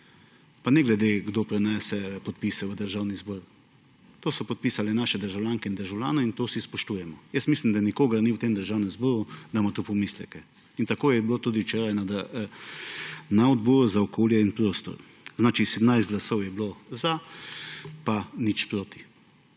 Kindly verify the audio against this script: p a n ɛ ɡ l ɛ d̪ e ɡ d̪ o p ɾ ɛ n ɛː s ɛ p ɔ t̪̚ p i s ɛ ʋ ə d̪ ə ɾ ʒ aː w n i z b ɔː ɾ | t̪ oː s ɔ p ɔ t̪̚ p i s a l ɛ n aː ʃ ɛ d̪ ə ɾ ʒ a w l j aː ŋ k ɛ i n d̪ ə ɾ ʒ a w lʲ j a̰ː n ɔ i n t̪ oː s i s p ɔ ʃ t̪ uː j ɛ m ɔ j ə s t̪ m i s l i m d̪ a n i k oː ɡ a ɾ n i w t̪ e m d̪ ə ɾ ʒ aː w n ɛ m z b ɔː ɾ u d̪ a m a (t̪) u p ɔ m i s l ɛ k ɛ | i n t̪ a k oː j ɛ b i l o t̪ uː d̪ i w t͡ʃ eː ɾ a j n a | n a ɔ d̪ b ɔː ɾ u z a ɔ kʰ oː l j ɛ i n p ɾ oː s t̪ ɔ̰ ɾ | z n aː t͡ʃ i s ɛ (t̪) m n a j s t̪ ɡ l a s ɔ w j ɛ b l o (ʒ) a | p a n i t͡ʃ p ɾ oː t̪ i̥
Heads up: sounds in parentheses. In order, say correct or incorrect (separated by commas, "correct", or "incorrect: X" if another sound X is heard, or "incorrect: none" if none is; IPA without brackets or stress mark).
correct, incorrect: d̪, incorrect: z